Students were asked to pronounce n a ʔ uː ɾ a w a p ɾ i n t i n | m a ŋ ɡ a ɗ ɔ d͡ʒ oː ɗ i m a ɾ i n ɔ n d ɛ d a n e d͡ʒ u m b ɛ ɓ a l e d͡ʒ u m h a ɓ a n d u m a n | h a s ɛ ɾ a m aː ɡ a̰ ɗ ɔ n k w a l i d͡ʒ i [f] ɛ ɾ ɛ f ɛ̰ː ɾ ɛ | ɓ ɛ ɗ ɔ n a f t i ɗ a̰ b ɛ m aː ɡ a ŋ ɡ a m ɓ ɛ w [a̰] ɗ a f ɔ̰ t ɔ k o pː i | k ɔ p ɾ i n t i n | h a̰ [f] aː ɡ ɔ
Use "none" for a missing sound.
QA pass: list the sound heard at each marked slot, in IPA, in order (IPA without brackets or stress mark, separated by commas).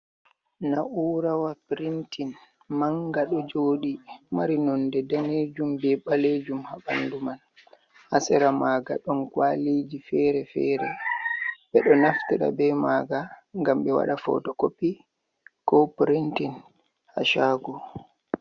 f, a̰, ʃ